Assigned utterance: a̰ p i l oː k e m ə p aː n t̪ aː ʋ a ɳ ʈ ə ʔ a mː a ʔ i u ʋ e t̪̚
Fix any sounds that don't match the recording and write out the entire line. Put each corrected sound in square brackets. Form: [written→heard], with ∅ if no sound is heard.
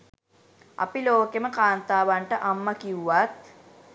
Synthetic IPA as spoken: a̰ p i l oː k e m ə [p→k] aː n t̪ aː ʋ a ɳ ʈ ə ʔ a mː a [ʔ→k] i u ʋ [e→a] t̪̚